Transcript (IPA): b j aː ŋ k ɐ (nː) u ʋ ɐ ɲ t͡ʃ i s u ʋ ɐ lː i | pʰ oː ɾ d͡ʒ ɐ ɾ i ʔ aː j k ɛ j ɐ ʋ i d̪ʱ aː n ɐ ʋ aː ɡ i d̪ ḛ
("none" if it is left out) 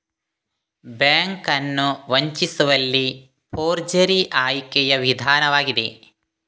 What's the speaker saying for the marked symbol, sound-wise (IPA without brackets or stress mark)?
nː